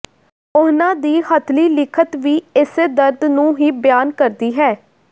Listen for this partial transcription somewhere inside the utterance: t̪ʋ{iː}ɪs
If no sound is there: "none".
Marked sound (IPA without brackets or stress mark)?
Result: iː